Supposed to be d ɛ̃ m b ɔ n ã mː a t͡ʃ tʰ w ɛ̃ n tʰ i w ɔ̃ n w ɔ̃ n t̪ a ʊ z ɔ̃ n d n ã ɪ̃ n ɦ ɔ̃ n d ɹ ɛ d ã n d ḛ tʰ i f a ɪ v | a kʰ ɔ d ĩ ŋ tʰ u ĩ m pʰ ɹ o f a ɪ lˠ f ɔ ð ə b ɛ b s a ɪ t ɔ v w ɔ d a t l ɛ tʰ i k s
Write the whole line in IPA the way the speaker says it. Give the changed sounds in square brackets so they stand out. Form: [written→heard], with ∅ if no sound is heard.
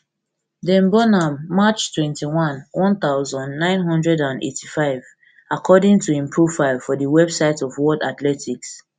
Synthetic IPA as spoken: d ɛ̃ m b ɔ n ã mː a t͡ʃ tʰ w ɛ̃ n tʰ i w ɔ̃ n w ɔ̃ n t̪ a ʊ z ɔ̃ n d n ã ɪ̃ n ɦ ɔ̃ n d ɹ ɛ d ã n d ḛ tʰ i f a ɪ v | a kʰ ɔ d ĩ ŋ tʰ u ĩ m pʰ ɹ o f a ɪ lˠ f ɔ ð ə [b→w] ɛ b s a ɪ t ɔ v w ɔ d a t l ɛ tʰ i k s